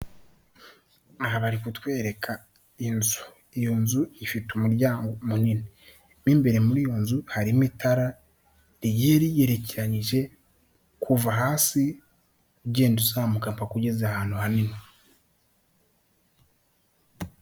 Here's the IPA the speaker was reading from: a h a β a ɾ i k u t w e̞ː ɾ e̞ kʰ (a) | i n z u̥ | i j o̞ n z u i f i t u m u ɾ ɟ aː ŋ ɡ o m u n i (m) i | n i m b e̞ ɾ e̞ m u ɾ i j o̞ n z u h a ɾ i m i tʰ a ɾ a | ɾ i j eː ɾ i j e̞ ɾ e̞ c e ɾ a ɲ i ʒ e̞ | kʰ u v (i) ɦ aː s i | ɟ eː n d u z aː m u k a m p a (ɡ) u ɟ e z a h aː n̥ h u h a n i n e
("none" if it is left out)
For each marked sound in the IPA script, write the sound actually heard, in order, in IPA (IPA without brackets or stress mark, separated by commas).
a, n, a, k